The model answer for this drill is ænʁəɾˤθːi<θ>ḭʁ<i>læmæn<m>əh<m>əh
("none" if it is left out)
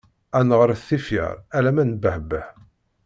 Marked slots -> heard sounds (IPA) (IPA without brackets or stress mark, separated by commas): f, æ, b, b